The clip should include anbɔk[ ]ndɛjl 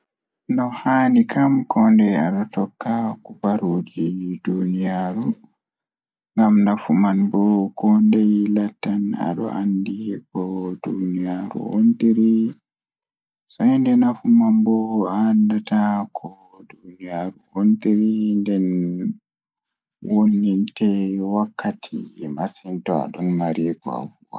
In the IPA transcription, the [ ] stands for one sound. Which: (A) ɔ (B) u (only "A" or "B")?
A